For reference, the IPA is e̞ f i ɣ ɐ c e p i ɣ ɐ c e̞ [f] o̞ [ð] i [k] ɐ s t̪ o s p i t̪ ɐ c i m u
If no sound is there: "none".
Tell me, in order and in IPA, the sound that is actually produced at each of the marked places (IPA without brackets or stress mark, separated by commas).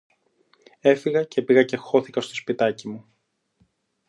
x, θ, k